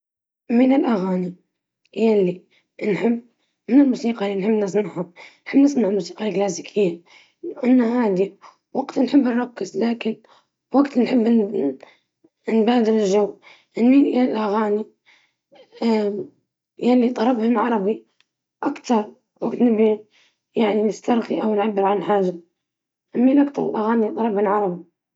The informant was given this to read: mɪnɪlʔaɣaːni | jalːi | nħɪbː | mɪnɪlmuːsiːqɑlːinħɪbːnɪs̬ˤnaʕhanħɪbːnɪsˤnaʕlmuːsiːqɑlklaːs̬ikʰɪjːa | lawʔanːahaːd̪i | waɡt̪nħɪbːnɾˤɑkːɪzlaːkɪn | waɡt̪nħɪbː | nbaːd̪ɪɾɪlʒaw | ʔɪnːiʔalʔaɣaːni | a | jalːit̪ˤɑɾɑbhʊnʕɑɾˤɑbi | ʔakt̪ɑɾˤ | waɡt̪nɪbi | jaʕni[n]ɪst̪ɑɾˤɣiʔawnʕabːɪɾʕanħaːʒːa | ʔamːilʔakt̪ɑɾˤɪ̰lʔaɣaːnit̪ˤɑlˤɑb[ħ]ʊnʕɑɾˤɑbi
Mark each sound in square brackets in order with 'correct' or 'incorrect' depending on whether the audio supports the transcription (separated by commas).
correct, incorrect